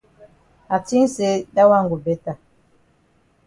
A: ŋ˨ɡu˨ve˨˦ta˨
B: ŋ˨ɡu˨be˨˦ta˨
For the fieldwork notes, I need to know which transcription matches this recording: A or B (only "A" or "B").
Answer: B